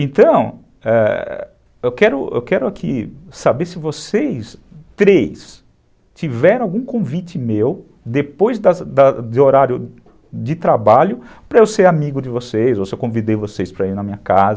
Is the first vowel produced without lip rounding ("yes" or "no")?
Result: yes